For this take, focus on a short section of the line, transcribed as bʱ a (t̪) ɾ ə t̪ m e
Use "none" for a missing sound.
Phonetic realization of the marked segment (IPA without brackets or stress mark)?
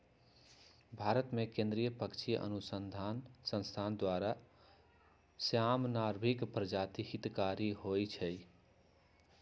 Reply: none